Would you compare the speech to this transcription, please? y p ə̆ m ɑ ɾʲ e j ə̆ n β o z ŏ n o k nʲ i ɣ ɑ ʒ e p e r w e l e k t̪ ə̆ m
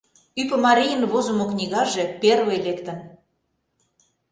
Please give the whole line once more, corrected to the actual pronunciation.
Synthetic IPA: y p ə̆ m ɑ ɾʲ i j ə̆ n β o z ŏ m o k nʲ i ɣ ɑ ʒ e p e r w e l e k t̪ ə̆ n